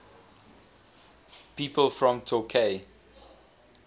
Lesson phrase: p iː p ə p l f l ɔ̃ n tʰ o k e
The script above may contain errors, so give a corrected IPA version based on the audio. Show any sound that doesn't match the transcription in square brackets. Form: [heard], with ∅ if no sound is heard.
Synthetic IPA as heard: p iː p ə [∅] l f [ɹ] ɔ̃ [m] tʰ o [kʰ] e